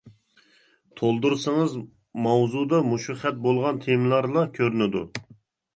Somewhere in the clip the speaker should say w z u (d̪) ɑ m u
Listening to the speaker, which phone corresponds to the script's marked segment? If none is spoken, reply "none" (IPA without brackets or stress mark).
d̪